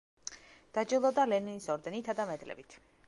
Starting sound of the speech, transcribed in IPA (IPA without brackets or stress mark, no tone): d̪̥